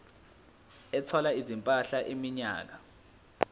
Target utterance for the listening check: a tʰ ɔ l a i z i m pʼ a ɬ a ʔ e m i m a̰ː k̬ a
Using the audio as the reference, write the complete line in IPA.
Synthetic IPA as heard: ɛ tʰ ɔ l a i z i m pʼ a ɬ a ʔ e m i ɲ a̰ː k̬ a